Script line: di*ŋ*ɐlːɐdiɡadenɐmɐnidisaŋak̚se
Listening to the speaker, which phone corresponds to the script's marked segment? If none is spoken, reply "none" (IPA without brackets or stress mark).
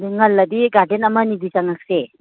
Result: ŋ